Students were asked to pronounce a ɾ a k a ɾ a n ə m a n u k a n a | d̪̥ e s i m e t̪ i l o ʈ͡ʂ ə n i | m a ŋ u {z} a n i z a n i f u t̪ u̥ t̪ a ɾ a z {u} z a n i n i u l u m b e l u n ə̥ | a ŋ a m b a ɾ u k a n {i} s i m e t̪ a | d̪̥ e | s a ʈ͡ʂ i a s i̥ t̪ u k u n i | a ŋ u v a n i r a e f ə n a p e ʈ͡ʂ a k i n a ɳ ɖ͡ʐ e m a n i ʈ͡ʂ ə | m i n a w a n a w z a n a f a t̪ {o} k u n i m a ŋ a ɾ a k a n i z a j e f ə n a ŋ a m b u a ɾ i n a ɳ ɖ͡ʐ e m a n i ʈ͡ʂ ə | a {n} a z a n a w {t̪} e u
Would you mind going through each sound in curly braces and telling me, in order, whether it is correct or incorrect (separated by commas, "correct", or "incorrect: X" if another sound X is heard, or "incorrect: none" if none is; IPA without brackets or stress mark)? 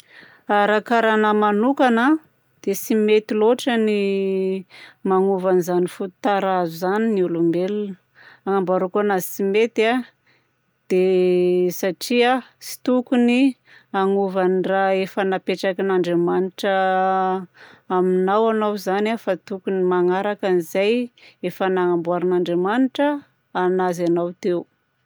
incorrect: v, correct, incorrect: a, incorrect: u, correct, correct